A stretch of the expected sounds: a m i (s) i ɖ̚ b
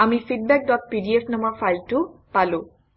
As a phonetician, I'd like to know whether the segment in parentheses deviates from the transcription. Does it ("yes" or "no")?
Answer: yes